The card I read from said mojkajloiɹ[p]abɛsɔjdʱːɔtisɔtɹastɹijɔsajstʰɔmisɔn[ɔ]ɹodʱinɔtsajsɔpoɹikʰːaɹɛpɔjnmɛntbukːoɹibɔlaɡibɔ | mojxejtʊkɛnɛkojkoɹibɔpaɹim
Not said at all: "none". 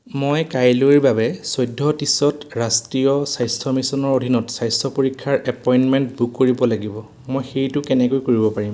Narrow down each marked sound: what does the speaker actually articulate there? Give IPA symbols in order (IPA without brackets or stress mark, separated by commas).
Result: b, ɔ